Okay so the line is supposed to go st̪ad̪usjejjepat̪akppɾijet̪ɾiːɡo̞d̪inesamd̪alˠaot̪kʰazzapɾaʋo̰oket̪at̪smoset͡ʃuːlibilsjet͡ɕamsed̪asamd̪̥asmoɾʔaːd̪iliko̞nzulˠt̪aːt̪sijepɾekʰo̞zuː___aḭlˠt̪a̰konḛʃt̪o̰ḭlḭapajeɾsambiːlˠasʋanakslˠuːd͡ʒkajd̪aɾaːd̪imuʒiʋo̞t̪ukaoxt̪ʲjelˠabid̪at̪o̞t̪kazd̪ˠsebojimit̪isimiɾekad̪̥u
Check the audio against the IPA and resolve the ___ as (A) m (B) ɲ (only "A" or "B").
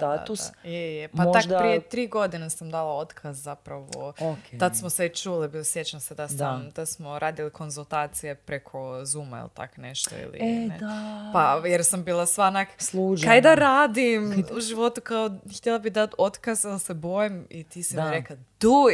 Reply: A